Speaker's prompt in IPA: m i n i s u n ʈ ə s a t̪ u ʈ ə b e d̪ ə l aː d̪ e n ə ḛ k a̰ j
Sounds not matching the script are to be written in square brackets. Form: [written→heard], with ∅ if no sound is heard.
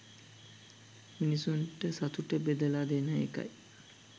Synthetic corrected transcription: m i n i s u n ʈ ə s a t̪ u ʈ ə b e d̪ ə l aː d̪ e n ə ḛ k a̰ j

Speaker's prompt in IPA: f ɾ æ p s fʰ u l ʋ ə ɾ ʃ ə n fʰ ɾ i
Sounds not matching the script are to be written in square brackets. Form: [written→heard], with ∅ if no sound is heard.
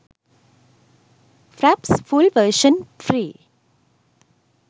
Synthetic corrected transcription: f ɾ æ p s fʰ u l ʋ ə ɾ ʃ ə n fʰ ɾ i

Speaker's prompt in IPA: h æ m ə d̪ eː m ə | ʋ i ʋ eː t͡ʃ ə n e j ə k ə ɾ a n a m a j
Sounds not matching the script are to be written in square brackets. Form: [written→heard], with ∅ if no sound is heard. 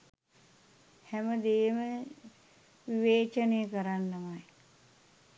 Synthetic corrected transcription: h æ m ə d̪ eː m ə | ʋ i ʋ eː t͡ʃ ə n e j ə k ə ɾ a [n→nː] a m a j

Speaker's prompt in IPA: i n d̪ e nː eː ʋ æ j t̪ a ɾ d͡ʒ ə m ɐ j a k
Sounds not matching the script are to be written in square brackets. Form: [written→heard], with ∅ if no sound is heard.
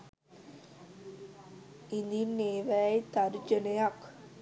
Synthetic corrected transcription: i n d̪ [e→i] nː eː ʋ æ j t̪ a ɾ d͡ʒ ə [m→n] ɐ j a k

